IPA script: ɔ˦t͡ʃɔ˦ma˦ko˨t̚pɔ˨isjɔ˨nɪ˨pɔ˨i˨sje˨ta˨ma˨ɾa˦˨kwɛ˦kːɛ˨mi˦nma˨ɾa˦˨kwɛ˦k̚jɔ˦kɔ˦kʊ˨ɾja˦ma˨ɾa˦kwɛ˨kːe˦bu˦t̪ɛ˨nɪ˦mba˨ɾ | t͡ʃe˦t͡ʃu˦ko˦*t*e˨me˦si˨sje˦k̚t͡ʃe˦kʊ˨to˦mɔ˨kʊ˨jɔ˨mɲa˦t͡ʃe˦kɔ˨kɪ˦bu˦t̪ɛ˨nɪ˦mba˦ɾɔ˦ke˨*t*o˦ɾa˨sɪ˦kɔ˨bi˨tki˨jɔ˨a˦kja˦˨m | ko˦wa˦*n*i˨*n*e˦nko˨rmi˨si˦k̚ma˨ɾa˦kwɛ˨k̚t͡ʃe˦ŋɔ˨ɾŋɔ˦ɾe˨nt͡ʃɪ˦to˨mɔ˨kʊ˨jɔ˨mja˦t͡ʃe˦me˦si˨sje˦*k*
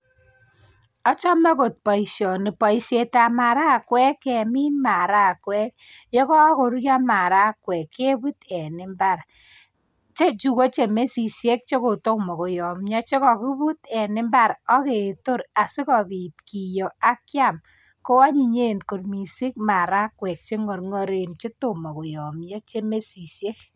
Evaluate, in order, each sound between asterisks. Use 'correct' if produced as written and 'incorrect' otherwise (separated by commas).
incorrect, correct, incorrect, incorrect, correct